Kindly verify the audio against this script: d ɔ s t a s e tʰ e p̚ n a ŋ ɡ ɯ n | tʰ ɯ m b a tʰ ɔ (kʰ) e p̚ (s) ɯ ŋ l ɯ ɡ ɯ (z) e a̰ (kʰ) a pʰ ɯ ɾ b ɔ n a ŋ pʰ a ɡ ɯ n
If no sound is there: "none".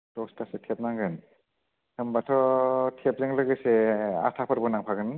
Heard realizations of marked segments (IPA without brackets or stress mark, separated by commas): tʰ, z, s, tʰ